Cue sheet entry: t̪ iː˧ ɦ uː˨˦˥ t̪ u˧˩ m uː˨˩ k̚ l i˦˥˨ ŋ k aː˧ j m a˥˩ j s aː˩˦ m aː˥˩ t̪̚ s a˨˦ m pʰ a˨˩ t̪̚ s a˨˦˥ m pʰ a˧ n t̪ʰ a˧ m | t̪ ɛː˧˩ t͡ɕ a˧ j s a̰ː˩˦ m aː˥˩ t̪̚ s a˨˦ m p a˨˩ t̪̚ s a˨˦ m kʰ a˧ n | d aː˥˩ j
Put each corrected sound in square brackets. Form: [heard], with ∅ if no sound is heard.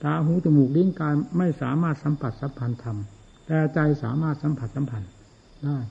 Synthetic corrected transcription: t̪ [aː˧] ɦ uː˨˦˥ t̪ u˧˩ m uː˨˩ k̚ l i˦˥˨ ŋ k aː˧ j m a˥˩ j s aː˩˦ m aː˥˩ t̪̚ s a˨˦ m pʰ a˨˩ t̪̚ s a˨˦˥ m pʰ a˧ n t̪ʰ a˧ m | t̪ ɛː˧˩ t͡ɕ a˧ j s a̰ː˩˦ m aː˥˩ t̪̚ s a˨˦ m [pʰ] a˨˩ t̪̚ s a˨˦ m [pʰ] a˧ n | d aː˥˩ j